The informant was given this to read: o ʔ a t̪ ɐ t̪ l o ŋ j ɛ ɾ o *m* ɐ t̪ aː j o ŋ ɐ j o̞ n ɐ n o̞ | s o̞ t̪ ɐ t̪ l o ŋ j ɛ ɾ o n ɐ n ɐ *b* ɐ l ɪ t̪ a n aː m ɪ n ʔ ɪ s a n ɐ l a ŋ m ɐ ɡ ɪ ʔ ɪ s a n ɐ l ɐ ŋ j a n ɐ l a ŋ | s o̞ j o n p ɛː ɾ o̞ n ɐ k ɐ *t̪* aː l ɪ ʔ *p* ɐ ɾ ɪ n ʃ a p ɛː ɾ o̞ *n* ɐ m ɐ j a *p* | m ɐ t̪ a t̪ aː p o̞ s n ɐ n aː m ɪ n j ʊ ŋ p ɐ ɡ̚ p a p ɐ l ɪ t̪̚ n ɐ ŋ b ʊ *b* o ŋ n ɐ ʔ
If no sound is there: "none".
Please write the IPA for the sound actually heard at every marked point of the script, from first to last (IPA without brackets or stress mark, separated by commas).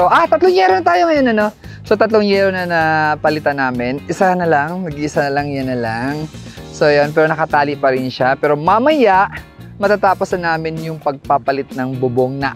n, p, t̪, p, m, ʔ, b